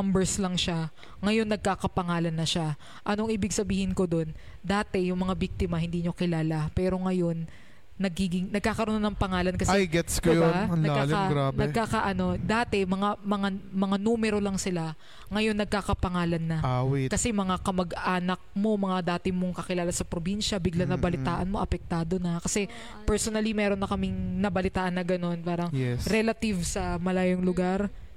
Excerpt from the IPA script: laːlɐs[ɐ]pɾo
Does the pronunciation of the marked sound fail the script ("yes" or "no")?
no